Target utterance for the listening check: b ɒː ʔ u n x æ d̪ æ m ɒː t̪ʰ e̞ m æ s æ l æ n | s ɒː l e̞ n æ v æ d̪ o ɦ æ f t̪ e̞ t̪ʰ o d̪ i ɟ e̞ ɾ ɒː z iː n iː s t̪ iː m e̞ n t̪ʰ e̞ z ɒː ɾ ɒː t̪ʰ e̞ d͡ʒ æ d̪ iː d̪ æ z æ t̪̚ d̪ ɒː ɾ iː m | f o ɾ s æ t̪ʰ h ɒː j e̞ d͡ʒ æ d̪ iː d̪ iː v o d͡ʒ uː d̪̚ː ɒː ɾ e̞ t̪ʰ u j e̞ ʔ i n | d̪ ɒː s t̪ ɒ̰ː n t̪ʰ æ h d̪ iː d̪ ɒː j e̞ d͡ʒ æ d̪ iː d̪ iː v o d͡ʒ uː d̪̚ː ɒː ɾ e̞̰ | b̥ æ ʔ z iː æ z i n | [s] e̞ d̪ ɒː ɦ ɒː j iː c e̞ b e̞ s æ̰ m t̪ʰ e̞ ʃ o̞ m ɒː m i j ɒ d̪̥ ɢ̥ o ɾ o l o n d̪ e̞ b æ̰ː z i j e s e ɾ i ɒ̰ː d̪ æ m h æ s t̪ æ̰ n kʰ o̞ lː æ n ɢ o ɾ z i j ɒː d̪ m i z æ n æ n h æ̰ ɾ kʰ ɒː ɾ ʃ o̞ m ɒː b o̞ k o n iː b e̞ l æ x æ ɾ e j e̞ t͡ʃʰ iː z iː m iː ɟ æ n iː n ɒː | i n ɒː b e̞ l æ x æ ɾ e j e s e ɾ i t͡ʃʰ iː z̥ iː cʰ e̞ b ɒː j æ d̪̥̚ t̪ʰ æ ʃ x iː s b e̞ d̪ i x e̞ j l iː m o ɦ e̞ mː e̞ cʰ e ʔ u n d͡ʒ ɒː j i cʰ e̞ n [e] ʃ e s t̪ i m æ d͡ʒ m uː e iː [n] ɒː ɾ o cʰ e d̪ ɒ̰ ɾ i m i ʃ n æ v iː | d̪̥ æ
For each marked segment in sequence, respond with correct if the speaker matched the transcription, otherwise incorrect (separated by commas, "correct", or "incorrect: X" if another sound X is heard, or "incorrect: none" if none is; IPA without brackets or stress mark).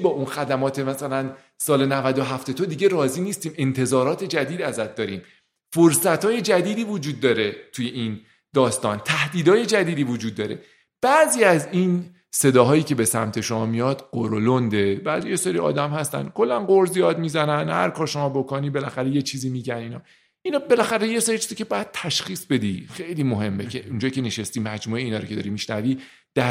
correct, correct, correct